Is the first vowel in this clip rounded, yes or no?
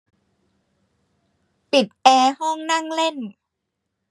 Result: no